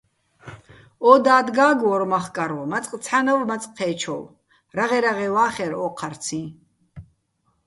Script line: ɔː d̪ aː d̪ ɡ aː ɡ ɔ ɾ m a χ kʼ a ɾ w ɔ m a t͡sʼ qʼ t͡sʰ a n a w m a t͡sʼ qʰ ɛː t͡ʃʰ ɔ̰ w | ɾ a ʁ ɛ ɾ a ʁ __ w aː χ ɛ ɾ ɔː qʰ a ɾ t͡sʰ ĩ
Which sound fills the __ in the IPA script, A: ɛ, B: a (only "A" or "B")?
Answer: A